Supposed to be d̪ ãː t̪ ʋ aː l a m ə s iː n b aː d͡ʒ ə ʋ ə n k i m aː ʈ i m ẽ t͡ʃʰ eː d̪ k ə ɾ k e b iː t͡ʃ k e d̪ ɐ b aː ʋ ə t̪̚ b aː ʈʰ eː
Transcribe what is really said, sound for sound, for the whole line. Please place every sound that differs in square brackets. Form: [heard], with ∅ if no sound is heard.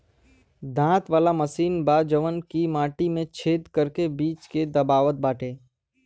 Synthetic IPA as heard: d̪ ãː t̪ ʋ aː l a m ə s iː n b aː d͡ʒ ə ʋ ə n k i m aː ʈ i m ẽ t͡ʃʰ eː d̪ k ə ɾ k e b iː t͡ʃ k e d̪ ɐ b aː ʋ ə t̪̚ b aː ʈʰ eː